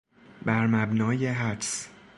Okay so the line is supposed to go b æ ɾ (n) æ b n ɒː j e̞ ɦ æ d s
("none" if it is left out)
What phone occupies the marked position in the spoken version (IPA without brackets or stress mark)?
m